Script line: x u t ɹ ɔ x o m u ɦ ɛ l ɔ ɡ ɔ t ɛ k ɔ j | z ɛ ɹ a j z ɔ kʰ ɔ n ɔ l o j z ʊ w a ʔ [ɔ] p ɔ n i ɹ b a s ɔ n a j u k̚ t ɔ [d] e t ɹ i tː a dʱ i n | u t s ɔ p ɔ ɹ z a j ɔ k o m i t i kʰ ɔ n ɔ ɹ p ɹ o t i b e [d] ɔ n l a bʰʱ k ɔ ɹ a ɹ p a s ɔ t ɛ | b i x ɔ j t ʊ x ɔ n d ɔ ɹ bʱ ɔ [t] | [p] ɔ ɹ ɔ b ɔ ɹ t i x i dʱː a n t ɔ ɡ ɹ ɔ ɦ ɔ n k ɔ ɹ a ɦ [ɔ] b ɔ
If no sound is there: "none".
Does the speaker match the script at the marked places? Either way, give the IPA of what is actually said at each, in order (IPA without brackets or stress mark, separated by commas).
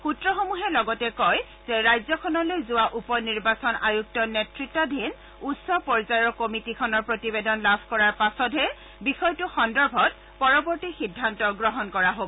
u, n, d, t, p, o